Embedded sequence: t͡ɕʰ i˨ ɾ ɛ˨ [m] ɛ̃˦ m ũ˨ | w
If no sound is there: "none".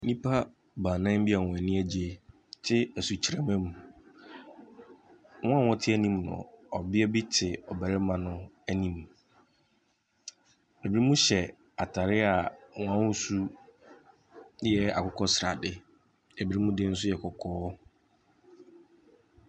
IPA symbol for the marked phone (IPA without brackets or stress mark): m